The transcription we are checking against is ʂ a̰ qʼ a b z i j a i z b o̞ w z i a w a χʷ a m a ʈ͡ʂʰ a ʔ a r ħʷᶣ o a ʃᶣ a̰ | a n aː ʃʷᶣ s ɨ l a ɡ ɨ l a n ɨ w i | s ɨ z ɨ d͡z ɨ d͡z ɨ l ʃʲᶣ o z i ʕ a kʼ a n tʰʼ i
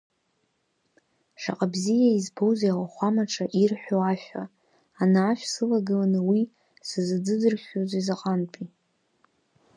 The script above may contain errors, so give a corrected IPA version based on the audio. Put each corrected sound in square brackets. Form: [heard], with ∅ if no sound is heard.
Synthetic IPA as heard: ʂ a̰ qʼ a b z i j a i z b o̞ w z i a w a χʷ a m a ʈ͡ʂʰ a ʔ [i] r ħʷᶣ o a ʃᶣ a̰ | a n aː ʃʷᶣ s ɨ l a ɡ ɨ l a n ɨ w i | s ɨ z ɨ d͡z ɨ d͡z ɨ [r] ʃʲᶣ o z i [z] a [qʼ] a n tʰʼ i